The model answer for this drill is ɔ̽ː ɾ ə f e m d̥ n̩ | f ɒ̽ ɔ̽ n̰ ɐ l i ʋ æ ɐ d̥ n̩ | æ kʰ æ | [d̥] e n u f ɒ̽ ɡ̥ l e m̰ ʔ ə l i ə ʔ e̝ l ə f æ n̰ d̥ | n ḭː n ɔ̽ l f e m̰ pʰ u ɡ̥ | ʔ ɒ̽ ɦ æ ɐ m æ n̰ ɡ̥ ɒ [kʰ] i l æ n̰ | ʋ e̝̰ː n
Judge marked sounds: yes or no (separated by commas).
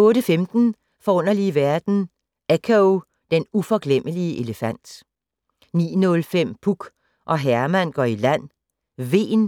yes, no